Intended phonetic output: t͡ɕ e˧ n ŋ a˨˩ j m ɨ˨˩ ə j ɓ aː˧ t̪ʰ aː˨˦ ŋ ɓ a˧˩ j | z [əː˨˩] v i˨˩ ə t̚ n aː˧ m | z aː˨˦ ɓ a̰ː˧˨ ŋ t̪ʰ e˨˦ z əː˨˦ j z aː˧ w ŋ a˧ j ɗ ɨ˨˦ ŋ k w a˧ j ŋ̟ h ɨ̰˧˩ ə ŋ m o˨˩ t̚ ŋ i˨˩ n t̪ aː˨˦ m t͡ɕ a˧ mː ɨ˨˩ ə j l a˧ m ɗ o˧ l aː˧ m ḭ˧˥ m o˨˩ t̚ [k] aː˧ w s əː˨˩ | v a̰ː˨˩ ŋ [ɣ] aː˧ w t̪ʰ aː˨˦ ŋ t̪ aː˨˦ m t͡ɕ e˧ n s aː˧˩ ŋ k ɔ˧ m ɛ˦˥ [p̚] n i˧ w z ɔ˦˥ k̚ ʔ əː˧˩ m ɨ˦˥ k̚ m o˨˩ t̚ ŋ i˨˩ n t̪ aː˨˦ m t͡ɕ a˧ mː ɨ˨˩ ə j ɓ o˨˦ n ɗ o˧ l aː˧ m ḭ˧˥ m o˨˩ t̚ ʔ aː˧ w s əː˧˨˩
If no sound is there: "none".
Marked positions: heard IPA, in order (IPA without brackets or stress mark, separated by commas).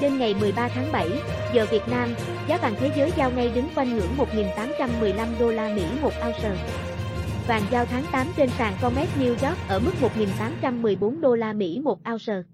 əː˨˩, ʔ, z, t̚